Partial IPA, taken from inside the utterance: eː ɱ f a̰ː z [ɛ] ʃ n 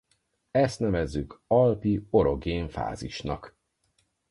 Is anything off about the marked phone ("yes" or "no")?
yes